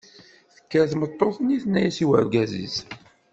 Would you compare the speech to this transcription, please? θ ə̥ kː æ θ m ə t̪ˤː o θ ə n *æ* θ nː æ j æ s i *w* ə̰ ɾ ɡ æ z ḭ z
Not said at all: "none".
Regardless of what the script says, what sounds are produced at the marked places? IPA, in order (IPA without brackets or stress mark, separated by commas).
i, w